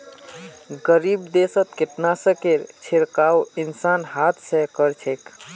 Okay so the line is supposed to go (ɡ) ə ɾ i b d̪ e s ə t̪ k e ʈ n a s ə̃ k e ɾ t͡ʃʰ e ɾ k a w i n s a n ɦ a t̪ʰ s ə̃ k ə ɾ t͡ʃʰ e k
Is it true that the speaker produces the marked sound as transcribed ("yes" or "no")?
yes